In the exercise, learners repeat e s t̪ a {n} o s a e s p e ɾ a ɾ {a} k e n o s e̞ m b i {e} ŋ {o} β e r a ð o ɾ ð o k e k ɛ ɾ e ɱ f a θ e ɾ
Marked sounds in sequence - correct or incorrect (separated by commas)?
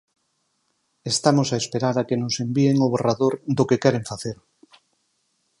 incorrect, correct, correct, correct